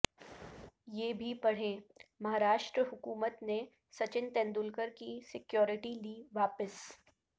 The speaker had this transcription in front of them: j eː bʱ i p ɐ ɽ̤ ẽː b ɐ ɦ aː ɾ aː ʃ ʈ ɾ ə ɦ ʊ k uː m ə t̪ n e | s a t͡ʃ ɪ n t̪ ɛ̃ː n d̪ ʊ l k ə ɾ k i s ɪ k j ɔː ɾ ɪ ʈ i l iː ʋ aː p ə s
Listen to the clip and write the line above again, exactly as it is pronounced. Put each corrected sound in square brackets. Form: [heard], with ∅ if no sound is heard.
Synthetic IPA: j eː bʱ i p ɐ ɽ̤ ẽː [m] ɐ ɦ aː ɾ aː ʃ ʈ ɾ ə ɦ ʊ k uː m ə t̪ n e | s [ɐ] t͡ʃ ɪ n t̪ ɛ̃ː n d̪ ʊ l k ə ɾ k i s ɪ k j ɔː ɾ ɪ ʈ i l iː ʋ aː p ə s